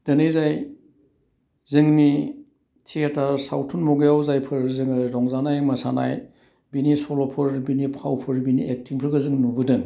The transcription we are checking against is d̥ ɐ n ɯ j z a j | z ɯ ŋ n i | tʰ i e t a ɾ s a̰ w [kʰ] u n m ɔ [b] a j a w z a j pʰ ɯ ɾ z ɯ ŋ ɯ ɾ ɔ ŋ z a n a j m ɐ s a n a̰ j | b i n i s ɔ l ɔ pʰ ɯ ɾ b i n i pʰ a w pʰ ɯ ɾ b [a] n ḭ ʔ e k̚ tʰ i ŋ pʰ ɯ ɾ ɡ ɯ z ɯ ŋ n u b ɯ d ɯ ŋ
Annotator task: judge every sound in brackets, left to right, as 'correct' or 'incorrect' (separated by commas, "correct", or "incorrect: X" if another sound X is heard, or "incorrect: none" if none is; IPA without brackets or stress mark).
incorrect: tʰ, incorrect: ɡ, incorrect: i